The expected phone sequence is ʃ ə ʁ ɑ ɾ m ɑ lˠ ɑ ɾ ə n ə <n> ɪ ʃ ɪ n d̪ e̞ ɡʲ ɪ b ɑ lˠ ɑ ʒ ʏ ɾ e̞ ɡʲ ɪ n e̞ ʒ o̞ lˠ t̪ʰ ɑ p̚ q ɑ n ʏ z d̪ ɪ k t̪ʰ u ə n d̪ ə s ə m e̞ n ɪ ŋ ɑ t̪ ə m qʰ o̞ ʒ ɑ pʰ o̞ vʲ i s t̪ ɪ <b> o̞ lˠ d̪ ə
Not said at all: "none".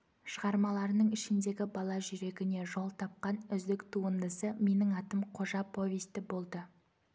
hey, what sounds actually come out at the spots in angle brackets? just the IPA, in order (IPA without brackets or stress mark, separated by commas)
ɴ, b